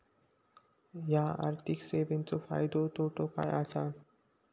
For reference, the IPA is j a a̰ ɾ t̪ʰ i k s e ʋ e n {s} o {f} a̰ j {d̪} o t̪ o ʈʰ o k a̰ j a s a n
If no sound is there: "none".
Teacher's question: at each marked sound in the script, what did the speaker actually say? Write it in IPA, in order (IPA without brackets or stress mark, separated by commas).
t͡s, f, d̪